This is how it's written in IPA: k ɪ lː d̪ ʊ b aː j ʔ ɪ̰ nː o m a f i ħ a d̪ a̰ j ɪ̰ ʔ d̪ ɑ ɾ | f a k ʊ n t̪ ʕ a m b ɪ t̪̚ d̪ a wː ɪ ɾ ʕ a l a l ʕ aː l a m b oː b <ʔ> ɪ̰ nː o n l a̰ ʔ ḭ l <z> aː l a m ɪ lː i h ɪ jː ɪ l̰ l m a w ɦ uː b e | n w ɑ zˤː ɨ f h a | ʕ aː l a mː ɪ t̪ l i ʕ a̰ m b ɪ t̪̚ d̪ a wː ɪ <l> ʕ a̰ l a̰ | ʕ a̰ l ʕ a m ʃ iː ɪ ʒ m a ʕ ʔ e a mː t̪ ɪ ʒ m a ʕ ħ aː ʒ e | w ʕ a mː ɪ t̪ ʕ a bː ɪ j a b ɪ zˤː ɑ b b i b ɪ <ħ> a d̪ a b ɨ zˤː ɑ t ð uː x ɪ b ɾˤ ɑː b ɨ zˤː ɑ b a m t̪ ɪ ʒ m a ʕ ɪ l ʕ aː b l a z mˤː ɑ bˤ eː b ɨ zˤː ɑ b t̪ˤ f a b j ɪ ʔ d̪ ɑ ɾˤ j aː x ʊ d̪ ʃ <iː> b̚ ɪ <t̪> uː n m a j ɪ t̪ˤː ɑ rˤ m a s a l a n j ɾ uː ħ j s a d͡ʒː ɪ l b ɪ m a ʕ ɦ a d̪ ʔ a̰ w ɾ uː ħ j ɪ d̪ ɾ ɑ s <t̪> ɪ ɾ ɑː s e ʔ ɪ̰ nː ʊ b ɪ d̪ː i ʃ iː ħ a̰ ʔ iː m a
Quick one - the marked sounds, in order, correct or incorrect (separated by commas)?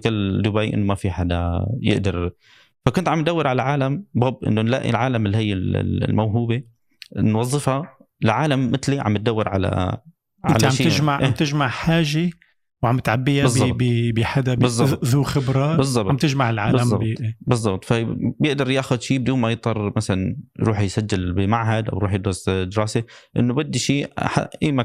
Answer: correct, incorrect, incorrect, correct, correct, incorrect, incorrect